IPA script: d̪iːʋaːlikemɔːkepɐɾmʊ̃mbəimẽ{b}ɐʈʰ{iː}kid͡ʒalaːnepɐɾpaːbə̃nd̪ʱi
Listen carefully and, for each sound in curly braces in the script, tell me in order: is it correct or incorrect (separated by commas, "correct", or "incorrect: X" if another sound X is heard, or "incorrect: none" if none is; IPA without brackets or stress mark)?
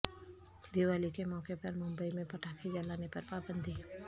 incorrect: p, incorrect: aː